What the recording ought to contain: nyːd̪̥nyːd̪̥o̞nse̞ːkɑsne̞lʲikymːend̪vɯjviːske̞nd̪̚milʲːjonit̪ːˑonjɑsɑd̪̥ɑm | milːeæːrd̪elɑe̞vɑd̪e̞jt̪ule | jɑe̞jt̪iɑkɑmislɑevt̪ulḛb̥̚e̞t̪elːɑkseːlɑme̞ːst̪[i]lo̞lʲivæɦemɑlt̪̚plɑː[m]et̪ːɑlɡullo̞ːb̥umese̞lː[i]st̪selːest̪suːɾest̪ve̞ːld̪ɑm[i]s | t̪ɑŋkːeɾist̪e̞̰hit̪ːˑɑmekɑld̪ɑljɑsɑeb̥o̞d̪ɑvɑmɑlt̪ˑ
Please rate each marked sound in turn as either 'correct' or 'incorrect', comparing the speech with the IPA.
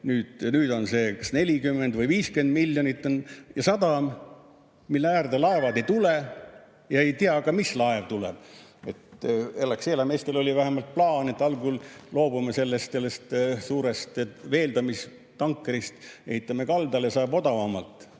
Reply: incorrect: e, incorrect: n, incorrect: e, correct

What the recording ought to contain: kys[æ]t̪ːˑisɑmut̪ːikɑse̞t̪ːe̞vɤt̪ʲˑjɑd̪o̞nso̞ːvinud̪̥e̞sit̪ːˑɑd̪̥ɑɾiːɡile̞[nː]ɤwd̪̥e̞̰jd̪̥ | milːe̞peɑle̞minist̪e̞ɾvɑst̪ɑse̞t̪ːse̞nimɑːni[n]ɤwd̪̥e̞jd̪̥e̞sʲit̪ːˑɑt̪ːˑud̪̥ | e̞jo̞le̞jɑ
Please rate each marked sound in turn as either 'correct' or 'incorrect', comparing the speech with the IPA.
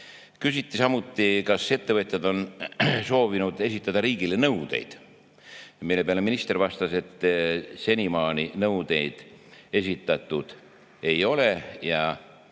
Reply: incorrect: i, incorrect: n, correct

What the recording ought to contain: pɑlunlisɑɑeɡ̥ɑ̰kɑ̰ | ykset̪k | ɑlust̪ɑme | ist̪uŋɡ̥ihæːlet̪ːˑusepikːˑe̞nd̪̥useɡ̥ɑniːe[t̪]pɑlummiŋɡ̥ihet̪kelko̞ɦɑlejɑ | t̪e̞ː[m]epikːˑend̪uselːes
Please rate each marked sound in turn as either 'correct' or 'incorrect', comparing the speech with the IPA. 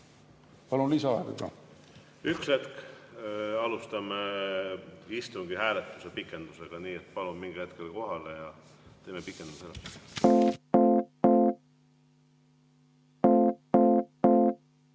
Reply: correct, correct

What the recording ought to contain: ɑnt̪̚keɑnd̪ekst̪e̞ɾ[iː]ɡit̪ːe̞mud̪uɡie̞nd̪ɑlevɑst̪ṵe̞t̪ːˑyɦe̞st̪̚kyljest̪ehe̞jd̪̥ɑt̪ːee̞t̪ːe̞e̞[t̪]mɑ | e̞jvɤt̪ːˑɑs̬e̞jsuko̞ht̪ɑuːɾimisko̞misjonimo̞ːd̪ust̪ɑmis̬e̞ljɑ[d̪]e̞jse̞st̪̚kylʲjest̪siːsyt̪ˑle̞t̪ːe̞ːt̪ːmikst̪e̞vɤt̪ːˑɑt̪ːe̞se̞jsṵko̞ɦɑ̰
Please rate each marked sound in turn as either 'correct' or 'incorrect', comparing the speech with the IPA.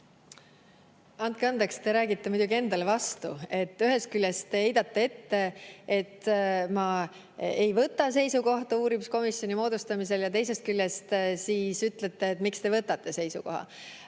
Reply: incorrect: æː, correct, incorrect: t̪

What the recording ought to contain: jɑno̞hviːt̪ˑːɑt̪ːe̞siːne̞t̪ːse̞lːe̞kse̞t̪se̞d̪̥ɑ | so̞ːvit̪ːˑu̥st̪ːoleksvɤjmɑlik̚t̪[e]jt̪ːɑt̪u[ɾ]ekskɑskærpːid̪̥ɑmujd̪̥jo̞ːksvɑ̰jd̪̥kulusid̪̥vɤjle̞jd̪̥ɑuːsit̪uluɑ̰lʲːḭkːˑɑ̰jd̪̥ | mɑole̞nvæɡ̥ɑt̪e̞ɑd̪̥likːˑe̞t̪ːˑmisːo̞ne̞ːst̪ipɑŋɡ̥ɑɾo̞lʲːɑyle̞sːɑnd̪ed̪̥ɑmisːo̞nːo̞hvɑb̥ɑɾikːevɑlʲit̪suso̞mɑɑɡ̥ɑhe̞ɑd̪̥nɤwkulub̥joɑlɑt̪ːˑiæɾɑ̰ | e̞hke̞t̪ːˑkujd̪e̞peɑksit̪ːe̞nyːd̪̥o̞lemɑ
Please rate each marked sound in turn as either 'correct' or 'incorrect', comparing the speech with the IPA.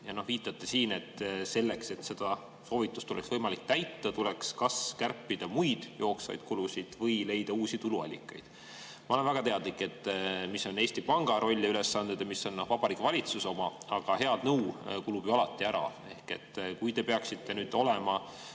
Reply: incorrect: æ, incorrect: l

